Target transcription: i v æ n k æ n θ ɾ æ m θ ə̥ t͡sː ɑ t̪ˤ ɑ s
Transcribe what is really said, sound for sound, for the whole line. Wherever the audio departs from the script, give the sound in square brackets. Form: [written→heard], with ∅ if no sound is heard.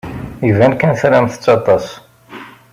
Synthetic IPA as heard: i v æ n k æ n θ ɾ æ m θ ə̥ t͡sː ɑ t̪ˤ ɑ s